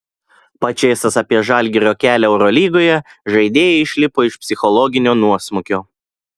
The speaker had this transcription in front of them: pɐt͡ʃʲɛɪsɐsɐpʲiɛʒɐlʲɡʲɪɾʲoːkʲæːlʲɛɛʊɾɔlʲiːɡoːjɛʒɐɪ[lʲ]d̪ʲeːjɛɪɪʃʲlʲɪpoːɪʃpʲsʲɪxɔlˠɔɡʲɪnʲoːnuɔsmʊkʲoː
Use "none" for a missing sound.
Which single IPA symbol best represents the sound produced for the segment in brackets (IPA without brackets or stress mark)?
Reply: none